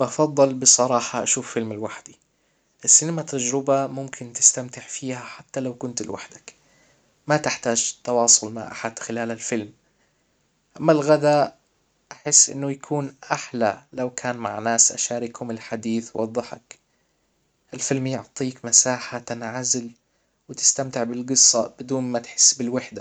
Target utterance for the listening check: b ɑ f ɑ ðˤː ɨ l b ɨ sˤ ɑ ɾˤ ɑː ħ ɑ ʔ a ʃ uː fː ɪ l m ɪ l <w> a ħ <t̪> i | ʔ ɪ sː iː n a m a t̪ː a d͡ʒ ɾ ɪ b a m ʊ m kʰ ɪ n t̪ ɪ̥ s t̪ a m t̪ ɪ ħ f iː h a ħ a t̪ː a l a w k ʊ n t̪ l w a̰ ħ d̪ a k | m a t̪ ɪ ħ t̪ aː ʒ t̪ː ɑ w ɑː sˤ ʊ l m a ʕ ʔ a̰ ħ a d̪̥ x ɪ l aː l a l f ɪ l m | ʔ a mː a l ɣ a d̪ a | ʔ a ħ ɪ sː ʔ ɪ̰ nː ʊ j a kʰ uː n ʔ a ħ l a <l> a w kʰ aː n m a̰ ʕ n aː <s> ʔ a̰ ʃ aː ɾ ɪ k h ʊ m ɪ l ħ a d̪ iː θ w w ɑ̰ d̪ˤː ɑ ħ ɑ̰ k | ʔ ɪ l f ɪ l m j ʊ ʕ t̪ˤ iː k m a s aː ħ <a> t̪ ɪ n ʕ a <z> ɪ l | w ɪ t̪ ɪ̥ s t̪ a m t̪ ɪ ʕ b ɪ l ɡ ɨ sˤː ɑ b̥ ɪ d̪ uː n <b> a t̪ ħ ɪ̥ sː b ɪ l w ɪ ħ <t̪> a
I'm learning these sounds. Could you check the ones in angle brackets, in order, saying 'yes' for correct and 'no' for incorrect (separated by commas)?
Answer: yes, no, yes, yes, yes, yes, no, no